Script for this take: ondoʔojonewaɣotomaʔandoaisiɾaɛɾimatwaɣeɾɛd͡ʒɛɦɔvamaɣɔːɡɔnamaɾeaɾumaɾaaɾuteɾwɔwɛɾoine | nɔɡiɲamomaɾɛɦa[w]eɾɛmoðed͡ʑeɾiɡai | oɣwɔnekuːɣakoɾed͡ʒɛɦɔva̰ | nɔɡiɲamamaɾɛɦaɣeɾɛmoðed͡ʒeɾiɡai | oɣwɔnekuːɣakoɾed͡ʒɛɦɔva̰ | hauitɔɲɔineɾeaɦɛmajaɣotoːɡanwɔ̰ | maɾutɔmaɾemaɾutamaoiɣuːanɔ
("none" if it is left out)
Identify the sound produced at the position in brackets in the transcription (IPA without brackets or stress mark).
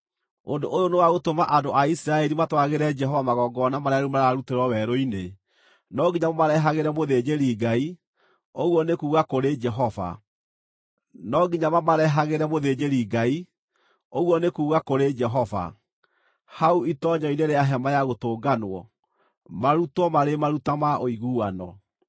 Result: ɣ